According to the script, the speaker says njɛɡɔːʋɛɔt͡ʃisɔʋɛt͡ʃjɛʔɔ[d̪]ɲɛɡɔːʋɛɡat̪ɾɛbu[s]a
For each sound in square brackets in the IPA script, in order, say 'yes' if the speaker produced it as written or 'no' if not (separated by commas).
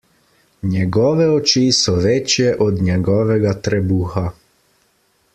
yes, no